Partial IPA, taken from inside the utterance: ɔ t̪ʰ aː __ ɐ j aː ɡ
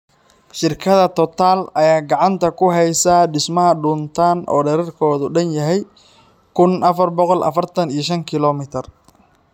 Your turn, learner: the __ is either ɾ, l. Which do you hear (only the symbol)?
l